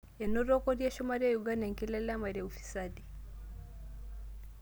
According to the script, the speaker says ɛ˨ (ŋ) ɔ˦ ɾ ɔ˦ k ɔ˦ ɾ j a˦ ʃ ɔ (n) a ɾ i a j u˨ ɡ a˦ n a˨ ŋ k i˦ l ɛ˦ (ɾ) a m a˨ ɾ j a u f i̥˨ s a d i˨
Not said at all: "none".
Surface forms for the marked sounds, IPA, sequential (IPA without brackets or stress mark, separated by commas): n, m, l